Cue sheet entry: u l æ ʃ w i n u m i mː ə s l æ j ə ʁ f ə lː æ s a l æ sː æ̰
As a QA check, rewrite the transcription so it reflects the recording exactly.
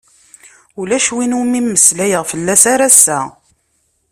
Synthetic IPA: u l æ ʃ w i n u m i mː ə s l æ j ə ʁ f ə lː æ s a ɾ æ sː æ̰